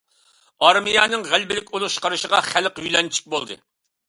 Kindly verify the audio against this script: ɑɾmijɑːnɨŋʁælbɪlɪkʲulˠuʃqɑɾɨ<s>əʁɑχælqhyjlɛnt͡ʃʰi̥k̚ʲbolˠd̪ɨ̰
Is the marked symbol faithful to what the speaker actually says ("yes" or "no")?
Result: no